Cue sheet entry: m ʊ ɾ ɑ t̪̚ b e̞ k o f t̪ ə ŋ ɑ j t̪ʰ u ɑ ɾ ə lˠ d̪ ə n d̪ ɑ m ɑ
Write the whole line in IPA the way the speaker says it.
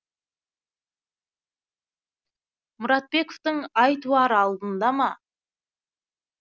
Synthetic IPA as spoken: m ʊ ɾ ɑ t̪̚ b e̞ k o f t̪ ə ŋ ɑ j t̪ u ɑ ɾ ɑ lˠ d̪ ə n d̪ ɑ m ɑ